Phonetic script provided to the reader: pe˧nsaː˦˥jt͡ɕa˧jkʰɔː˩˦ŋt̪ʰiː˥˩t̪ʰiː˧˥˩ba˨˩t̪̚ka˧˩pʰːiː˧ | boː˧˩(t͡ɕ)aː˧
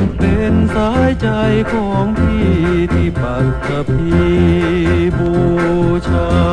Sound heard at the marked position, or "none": t͡ɕʰ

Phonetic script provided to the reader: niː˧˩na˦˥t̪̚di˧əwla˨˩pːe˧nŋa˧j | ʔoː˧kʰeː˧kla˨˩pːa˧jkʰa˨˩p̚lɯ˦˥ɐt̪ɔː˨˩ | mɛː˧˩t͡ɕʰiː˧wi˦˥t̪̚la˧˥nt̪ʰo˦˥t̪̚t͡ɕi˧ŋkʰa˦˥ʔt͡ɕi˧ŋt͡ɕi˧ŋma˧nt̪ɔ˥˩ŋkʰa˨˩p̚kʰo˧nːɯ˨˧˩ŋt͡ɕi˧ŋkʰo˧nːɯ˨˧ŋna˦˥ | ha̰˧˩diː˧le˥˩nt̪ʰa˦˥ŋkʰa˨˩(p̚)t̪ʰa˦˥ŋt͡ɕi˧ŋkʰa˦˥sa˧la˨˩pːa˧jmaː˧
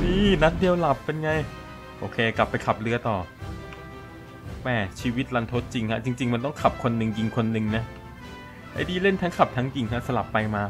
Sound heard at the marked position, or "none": p̚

